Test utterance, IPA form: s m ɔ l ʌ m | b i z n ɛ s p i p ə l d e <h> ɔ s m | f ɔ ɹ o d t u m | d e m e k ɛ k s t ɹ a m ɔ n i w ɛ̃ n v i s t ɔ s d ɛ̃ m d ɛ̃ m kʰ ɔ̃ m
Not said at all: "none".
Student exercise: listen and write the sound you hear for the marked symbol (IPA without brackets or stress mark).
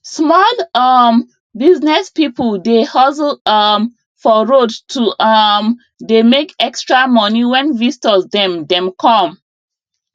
h